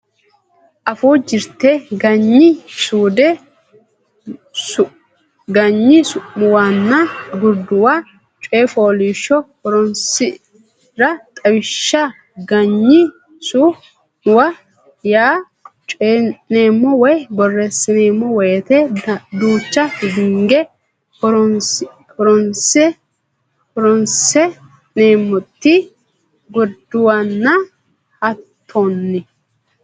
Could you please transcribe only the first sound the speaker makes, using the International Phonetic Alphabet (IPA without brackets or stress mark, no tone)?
ʔ